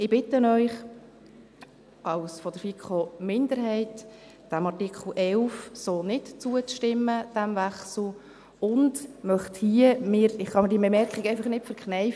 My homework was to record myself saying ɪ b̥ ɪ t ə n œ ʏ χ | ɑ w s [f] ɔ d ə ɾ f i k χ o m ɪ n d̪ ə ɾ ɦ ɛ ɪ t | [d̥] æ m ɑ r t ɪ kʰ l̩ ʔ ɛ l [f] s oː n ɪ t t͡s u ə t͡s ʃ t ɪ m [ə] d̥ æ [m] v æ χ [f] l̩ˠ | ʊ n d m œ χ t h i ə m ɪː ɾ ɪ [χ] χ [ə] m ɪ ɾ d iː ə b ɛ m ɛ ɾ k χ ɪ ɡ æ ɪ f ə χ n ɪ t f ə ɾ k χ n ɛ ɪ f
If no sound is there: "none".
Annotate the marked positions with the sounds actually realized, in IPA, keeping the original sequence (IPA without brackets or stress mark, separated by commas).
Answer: f, d̥, f, ə, m, s, χ, ɑ